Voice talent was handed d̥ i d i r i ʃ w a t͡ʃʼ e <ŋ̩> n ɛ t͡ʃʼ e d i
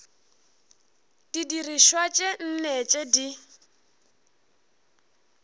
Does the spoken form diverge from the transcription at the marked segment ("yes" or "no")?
yes